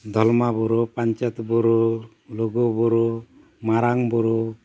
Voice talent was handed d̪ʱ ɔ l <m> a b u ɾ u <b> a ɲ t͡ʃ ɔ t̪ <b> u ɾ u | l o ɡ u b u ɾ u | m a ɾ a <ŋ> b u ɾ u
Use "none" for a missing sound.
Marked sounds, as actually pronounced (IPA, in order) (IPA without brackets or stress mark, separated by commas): m, p, b, ŋ